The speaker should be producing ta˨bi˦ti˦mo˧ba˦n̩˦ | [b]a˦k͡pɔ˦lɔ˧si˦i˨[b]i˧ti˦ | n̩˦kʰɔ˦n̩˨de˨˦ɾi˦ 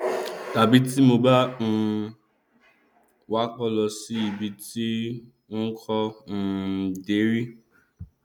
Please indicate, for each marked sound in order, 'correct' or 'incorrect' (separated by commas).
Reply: incorrect, correct